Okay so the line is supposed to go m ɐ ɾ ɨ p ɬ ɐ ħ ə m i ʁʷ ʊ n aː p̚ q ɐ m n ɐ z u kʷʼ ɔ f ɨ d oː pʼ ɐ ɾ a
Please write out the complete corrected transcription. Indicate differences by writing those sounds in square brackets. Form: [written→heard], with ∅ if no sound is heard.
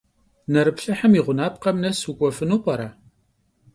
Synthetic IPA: [m→n] ɐ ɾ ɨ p ɬ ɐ ħ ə m i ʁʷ ʊ n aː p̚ q ɐ m n ɐ [z→s] u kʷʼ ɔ f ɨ [d→n] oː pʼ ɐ ɾ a